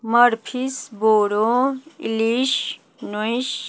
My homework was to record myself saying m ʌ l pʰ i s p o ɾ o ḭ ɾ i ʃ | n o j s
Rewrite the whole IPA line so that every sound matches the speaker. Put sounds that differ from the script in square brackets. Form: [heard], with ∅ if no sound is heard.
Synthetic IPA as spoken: m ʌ [ɾ] pʰ i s [b] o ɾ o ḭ [l] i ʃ | n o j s